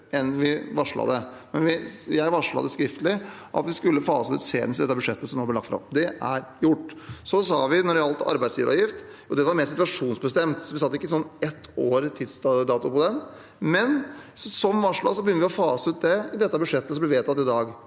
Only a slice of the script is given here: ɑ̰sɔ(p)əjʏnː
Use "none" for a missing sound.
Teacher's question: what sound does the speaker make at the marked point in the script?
b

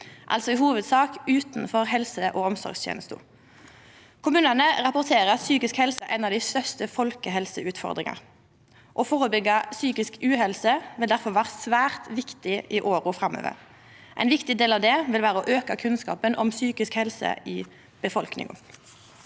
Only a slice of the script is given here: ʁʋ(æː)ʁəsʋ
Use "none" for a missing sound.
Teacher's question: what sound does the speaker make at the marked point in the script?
æː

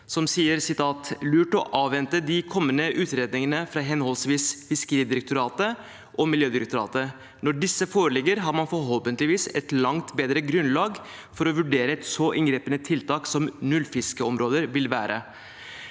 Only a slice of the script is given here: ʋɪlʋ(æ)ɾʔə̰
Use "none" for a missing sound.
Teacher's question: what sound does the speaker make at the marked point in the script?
æː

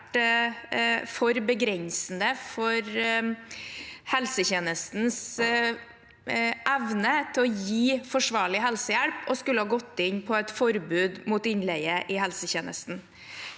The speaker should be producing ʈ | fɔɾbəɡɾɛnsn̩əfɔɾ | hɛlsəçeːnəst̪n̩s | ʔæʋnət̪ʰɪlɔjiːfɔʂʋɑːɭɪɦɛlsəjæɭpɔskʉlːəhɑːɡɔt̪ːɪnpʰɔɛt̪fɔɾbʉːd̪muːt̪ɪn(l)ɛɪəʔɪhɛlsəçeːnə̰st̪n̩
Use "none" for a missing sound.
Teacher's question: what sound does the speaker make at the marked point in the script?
l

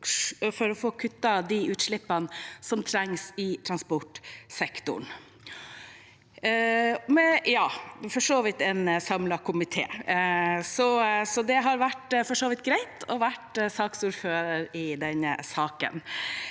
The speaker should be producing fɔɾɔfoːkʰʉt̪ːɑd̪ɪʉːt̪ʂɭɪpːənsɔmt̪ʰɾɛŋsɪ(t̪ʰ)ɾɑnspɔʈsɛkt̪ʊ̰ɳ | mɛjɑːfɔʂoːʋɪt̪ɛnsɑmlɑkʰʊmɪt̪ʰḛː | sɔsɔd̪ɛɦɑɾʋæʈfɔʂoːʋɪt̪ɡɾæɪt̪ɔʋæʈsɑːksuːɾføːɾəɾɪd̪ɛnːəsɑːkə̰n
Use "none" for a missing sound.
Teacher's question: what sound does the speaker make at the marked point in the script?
t̪ʰ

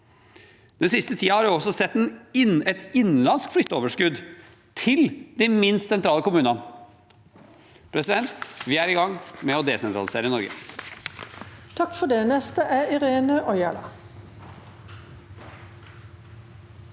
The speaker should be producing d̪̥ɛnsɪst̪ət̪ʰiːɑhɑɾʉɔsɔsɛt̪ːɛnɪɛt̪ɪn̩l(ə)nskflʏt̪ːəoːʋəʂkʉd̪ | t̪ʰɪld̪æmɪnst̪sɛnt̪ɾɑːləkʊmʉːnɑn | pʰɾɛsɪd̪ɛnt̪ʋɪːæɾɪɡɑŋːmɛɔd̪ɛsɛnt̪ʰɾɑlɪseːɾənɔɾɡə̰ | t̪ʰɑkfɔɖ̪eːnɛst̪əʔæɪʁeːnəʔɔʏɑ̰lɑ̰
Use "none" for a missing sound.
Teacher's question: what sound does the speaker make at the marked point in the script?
ɑ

